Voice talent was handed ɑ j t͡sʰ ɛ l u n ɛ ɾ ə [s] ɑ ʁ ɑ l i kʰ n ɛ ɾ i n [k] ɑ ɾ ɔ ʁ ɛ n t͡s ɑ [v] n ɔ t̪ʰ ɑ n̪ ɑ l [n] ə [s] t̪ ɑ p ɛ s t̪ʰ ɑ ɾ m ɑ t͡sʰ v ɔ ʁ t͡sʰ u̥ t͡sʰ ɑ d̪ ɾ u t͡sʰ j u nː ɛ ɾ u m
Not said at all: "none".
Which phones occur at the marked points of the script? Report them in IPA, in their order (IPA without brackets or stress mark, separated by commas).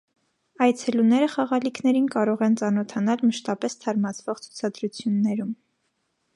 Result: χ, k, none, m, ʃ